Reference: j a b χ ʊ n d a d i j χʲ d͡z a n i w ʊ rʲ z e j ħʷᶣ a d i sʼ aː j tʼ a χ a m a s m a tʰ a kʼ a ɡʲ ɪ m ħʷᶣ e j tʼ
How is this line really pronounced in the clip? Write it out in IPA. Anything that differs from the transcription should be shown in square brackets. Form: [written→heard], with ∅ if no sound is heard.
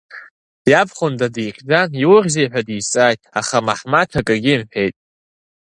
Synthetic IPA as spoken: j a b χ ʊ n d a d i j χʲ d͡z a n i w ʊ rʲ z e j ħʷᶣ a d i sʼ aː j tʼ a χ a m a [s→ħ] m a tʰ a kʼ a ɡʲ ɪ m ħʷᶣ e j tʼ